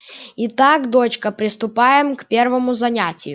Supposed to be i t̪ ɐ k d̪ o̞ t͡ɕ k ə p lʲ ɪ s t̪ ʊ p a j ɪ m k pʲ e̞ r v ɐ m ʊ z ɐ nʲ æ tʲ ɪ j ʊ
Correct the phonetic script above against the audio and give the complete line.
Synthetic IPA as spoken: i t̪ a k d̪ o̞ t͡ɕ k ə p ɾʲ ɪ s t̪ ʊ p a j ɪ m k pʲ e̞ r v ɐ m ʊ z ɐ nʲ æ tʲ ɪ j ʊ